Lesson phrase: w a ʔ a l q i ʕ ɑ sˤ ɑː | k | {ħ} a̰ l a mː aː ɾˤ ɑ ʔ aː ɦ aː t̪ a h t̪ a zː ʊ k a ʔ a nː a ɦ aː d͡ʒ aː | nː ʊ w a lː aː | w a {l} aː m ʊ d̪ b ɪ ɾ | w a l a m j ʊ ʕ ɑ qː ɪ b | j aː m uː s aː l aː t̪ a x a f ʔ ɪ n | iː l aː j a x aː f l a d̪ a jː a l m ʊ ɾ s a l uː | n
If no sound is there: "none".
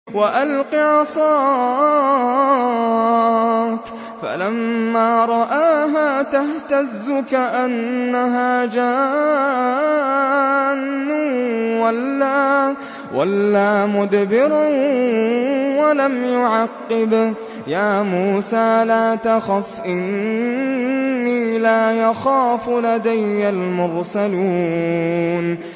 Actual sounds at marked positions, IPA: f, lː

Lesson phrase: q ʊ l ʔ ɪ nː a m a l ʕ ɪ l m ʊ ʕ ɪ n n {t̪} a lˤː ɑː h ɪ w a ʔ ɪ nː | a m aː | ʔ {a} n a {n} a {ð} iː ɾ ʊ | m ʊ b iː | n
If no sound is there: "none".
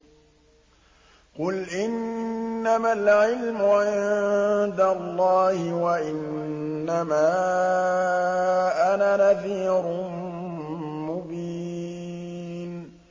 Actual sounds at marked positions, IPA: d̪, a, n, θ

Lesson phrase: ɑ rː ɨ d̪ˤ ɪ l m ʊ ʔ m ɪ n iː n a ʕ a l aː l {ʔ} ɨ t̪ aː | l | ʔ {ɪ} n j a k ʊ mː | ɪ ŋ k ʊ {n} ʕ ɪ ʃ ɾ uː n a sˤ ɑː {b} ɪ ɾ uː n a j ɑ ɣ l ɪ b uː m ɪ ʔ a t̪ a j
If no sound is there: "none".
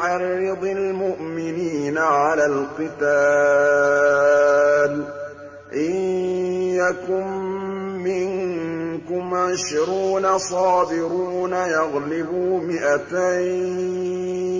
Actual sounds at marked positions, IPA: q, ɪ, m, b

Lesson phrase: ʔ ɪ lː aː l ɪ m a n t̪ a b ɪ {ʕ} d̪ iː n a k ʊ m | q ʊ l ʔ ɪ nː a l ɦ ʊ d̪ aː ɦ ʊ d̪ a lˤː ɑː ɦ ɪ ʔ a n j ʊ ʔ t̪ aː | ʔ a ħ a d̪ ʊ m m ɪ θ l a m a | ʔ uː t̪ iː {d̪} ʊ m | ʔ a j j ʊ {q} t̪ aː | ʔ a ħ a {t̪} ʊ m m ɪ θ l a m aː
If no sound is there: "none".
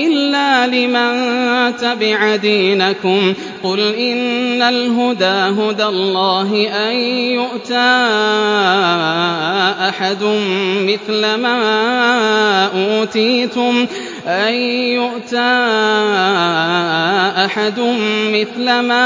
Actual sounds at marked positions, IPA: ʕ, t̪, ʔ, d̪

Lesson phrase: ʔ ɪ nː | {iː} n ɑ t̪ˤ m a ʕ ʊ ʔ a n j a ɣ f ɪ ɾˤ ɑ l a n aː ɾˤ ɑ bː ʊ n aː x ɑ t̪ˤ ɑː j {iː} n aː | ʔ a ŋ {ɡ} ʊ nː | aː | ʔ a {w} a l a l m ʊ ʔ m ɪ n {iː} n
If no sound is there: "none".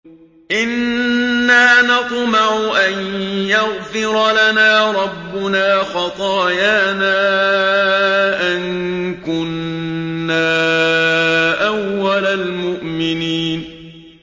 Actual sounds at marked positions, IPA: aː, aː, k, wː, iː

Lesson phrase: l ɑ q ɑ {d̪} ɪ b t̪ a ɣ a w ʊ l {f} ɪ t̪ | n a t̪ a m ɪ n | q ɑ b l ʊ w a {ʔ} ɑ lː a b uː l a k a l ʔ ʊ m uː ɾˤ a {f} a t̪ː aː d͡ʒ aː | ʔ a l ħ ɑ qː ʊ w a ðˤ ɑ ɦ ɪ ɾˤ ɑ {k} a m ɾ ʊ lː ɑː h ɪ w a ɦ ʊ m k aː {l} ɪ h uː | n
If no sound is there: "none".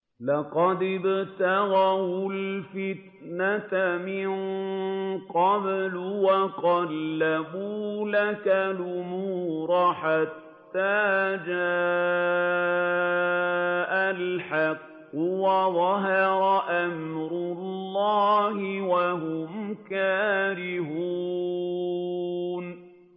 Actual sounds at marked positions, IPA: d̪, f, q, ħ, ʔ, ɾ

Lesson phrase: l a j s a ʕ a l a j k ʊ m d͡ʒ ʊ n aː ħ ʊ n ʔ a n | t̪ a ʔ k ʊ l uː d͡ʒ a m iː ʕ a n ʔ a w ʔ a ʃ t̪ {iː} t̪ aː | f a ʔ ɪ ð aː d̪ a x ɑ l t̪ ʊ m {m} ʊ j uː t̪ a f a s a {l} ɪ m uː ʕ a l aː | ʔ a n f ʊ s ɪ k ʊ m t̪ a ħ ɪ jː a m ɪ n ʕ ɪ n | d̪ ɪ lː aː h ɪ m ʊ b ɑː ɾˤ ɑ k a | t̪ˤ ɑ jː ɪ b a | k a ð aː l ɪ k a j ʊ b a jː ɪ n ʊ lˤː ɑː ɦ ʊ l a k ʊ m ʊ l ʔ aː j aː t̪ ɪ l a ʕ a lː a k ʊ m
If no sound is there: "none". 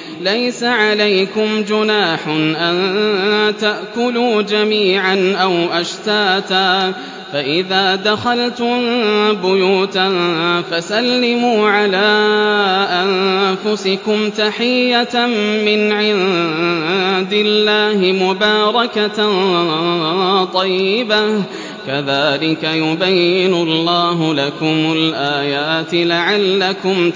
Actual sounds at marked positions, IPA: aː, b, lː

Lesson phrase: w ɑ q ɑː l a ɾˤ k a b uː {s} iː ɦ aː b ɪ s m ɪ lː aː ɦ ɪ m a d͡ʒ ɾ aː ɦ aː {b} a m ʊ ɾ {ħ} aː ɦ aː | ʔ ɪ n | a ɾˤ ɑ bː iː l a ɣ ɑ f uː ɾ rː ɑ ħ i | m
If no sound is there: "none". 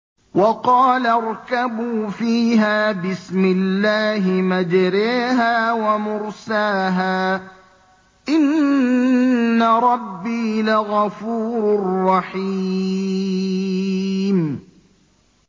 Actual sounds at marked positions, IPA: f, w, s

